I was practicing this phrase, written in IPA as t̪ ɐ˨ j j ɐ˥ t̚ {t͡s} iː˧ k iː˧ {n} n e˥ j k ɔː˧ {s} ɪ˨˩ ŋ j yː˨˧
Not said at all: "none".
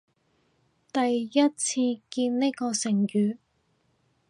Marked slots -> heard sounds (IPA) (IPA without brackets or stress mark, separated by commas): t͡sʰ, n, s